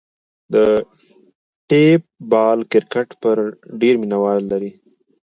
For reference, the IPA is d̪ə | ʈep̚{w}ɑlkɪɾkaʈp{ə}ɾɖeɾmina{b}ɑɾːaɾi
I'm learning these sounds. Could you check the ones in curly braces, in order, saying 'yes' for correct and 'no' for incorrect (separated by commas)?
no, yes, no